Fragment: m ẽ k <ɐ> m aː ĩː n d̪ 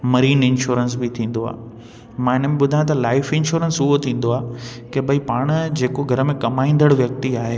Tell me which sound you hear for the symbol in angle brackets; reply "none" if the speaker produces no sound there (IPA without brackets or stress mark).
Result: ɐ